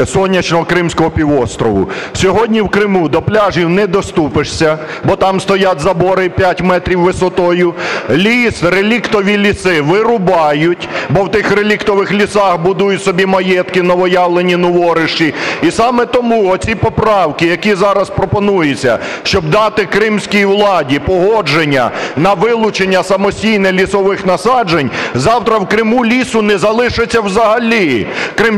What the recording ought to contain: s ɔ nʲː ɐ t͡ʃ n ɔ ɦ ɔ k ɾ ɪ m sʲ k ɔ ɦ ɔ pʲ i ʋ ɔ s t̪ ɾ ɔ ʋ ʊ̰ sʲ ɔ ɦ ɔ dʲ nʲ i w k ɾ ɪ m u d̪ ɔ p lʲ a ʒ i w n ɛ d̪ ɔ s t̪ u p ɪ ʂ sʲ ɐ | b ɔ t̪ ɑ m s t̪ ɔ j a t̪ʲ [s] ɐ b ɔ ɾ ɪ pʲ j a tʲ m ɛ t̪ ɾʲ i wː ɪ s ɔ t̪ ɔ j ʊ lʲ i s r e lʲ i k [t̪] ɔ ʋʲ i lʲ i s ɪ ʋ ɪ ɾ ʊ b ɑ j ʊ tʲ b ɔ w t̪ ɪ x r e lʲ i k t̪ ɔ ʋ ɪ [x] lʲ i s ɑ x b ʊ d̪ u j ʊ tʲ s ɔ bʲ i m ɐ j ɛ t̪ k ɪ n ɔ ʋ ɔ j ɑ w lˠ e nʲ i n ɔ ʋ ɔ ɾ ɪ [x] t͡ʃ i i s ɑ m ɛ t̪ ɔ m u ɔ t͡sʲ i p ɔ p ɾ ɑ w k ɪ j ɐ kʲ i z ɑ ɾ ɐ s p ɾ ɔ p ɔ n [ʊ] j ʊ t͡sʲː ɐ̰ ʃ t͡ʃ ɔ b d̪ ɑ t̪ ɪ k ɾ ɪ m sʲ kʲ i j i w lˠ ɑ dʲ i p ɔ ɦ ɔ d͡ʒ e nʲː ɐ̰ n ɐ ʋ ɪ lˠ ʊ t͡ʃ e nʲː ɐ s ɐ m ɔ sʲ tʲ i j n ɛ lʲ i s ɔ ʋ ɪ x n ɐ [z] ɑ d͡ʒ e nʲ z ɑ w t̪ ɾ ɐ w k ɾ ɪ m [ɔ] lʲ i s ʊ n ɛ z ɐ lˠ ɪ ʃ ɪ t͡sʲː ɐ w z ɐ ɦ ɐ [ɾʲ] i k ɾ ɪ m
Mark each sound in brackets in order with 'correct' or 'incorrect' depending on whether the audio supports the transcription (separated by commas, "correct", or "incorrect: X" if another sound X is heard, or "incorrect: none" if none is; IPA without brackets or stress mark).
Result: incorrect: z, correct, correct, incorrect: ʃ, incorrect: u, incorrect: s, incorrect: u, incorrect: lʲ